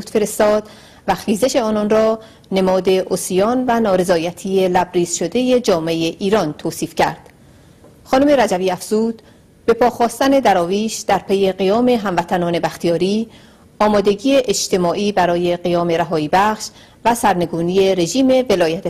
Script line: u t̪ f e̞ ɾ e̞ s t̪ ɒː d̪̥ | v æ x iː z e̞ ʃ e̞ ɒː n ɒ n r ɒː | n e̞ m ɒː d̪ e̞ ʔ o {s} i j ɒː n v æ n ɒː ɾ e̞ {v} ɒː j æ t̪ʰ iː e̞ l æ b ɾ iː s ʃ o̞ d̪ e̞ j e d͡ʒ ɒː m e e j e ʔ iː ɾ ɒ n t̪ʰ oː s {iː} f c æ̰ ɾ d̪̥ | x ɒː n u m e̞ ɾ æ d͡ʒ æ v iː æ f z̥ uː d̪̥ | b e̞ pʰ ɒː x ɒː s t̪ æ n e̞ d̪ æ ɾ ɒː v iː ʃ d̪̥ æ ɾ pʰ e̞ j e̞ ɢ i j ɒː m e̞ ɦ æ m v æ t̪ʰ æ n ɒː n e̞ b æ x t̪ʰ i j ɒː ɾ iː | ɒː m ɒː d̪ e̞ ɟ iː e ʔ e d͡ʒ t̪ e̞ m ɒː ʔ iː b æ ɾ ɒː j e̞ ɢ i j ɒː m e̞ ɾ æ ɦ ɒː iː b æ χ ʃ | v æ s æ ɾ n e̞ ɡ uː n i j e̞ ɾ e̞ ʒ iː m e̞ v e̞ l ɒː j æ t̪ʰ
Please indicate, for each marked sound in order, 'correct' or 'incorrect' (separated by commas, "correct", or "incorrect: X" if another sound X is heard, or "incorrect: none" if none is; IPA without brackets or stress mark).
correct, incorrect: z, correct